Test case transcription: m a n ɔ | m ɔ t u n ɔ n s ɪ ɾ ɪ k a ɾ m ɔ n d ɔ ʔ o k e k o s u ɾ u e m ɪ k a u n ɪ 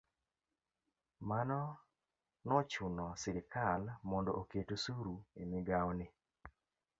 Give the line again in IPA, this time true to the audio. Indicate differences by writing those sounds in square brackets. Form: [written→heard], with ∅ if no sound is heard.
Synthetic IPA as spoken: m a n ɔ | [m→n] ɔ [t→t͡ʃ] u n ɔ [n→∅] s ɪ ɾ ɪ k a [ɾ→l] m ɔ n d ɔ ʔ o k e [k→t] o s u ɾ u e m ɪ [k→ɡ] a [u→w] n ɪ